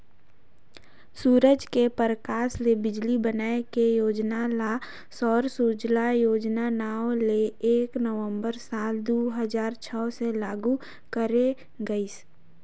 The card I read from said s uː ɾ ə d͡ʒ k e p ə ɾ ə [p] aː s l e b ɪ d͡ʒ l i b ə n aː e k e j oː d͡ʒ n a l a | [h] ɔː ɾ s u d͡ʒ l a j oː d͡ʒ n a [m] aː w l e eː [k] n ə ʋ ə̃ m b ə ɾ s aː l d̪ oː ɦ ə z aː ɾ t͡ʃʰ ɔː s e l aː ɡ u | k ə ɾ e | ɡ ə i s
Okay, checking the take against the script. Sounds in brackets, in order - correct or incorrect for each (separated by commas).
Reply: incorrect, incorrect, incorrect, correct